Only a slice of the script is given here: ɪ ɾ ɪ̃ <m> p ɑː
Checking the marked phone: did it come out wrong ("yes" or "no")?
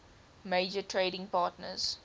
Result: yes